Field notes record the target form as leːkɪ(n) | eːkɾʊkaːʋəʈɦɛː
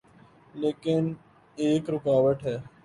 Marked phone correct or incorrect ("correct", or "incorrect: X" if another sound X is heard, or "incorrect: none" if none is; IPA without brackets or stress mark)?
correct